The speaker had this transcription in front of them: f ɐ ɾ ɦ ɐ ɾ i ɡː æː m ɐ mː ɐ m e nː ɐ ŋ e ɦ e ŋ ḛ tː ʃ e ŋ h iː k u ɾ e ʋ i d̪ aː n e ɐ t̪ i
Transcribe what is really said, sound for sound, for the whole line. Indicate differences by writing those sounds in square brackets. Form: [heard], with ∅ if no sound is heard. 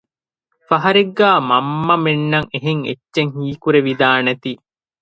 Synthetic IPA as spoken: f ɐ [∅] ɦ ɐ ɾ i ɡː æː m ɐ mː ɐ m e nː ɐ ŋ e ɦ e ŋ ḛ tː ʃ e ŋ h iː k u ɾ e ʋ i d̪ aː n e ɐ t̪ i

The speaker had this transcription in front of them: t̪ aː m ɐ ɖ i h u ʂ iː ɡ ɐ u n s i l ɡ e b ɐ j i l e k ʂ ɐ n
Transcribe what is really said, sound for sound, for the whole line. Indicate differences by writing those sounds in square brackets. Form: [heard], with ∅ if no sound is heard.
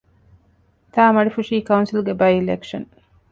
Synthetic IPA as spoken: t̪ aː m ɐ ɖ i [f] u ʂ iː [k] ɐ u n s i l ɡ e b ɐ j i l e k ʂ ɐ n

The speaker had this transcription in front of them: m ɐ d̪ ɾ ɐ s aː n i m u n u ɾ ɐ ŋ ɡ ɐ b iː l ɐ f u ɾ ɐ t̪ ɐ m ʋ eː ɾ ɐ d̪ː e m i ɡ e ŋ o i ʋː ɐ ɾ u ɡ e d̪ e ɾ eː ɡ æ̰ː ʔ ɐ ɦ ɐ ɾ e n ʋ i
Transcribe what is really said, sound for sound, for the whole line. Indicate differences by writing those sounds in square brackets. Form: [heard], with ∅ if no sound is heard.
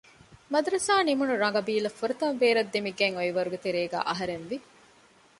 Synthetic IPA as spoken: m ɐ d̪ ɾ ɐ s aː n i m u n u ɾ ɐ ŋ ɡ ɐ b iː l ɐ f u ɾ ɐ t̪ ɐ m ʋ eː ɾ ɐ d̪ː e m i ɡ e ŋ o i [ʋ] ɐ ɾ u ɡ e [t̪] e ɾ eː ɡ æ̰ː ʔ ɐ ɦ ɐ ɾ e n ʋ i

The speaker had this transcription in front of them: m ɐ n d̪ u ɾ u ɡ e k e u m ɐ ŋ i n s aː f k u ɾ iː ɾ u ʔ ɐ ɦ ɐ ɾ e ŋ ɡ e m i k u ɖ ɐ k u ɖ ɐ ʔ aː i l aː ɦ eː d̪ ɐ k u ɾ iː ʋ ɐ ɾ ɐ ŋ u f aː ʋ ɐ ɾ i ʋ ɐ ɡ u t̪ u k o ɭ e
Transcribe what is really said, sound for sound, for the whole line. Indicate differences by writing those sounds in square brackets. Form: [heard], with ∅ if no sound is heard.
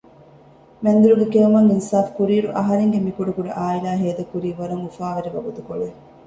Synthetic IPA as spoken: m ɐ n d̪ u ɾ u ɡ e k e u m ɐ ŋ i n s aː f k u ɾ iː ɾ u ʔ ɐ ɦ ɐ ɾ e ŋ ɡ e m i k u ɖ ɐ k u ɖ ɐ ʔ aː i l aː ɦ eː d̪ ɐ k u ɾ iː ʋ ɐ ɾ ɐ ŋ u f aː ʋ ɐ ɾ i ʋ ɐ ɡ u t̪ u k o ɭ e

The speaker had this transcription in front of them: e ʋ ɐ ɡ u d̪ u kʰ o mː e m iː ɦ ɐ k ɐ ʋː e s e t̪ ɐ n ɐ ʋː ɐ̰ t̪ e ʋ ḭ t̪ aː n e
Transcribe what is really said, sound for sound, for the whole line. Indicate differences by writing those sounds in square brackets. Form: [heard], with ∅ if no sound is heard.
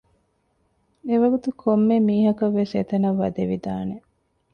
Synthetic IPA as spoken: e ʋ ɐ ɡ u [t̪] u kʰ o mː e m iː ɦ ɐ k ɐ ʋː e s e t̪ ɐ n ɐ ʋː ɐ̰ [d̪] e ʋ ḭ [d̪] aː n e

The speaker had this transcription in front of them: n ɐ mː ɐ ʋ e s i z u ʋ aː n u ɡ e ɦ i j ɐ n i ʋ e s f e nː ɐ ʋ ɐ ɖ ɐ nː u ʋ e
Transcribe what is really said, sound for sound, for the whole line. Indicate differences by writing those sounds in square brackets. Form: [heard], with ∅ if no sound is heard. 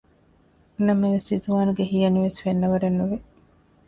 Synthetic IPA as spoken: n ɐ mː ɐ ʋ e s i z u ʋ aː n u ɡ e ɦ i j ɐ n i ʋ e s f e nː ɐ ʋ ɐ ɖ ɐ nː u ʋ e

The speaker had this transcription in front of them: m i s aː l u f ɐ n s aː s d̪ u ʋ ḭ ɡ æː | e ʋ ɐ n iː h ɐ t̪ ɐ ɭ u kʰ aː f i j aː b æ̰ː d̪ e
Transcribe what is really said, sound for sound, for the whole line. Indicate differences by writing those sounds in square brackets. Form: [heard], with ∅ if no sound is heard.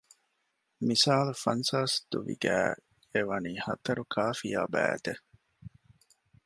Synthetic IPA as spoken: m i s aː l u f ɐ n s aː s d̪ u ʋ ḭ ɡ æː | e ʋ ɐ n iː h ɐ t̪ ɐ [ɾ] u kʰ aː f i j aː b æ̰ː [t̪] e

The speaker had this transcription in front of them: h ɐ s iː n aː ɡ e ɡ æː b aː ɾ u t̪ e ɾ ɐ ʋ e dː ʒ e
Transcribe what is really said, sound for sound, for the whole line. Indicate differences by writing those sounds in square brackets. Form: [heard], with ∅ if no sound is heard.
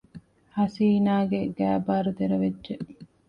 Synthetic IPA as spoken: h ɐ s iː n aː ɡ e ɡ æː b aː ɾ u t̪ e ɾ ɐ ʋ e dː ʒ e

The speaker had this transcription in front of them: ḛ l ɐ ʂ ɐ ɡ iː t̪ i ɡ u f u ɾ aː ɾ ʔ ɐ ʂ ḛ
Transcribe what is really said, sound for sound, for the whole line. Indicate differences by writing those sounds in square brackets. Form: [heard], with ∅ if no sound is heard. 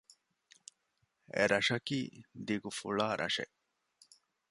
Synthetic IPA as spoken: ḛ [ɾ] ɐ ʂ ɐ [k] iː [d̪] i ɡ u f u [ɭ] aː ɾ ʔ ɐ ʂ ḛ

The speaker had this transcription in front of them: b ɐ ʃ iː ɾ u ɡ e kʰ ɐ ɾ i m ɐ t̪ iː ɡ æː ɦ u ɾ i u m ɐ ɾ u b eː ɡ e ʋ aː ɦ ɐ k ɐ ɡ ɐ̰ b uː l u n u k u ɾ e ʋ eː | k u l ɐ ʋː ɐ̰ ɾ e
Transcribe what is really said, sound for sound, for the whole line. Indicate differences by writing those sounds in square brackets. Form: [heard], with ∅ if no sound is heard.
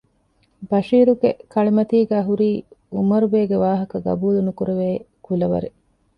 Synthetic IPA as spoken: b ɐ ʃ iː ɾ u ɡ e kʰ ɐ [ɭ] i m ɐ t̪ iː ɡ æː ɦ u ɾ [iː] u m ɐ ɾ u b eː ɡ e ʋ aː ɦ ɐ k ɐ ɡ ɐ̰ b uː l u n u k u ɾ e ʋ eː | k u l ɐ [ʋ] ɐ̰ ɾ e

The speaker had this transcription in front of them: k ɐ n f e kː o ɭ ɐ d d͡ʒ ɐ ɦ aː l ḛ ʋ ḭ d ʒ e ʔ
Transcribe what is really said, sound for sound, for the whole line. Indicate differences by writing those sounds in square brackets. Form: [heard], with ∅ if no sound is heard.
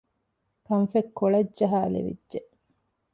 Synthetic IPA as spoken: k ɐ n f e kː o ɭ ɐ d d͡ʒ ɐ ɦ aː l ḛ ʋ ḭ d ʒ e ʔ

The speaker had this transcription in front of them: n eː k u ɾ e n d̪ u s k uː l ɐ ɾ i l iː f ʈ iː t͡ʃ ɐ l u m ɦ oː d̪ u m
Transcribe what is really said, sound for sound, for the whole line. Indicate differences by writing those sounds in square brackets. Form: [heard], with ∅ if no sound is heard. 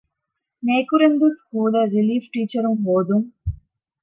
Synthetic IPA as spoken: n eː k u ɾ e n d̪ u s k uː l ɐ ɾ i l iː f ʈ iː t͡ʃ ɐ [ɾ] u m ɦ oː d̪ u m

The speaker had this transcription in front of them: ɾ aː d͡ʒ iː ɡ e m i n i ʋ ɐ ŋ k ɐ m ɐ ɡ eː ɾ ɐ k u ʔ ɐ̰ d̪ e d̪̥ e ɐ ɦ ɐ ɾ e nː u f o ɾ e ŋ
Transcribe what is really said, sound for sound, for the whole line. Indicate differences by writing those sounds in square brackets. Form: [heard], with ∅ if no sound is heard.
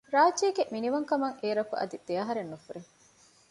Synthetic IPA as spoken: ɾ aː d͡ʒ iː ɡ e m i n i ʋ ɐ ŋ k ɐ m ɐ [ŋ] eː ɾ ɐ k u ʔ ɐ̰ d̪ [i] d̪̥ e ɐ ɦ ɐ ɾ e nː u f [u] ɾ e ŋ

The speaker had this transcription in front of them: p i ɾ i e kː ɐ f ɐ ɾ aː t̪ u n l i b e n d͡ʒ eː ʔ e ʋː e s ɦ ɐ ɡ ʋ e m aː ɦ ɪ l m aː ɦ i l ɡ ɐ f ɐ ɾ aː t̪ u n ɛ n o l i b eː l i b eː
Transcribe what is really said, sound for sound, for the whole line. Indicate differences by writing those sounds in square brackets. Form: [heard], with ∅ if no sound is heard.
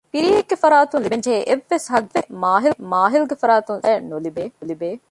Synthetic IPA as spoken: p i ɾ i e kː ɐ f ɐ ɾ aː t̪ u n l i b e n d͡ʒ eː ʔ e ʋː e s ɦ ɐ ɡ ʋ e m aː ɦ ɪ l m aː ɦ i l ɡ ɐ f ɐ ɾ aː t̪ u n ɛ n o l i b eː l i b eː

